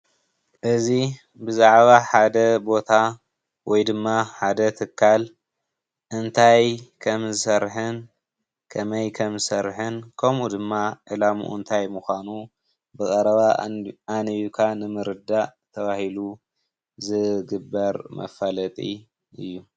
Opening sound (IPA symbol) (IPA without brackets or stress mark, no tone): ʔ